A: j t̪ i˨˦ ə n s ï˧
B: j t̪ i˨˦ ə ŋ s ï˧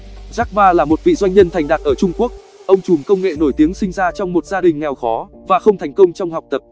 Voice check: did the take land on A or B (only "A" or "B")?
B